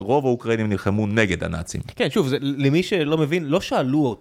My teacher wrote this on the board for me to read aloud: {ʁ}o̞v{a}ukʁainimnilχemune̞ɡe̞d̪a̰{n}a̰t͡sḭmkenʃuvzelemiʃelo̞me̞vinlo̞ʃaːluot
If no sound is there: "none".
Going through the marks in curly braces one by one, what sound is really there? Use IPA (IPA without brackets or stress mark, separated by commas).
ʁ, a, n